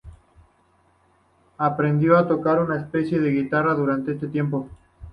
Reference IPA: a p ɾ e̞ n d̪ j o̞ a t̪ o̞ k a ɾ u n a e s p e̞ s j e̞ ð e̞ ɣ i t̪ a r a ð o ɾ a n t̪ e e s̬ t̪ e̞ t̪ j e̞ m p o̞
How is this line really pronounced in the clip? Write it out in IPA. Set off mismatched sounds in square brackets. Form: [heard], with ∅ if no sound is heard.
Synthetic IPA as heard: a p ɾ e̞ n d̪ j o̞ a t̪ o̞ k a ɾ u n a e s p e̞ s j e̞ ð e̞ ɣ i t̪ a r a ð [u] ɾ a n t̪ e e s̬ t̪ e̞ t̪ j e̞ m p o̞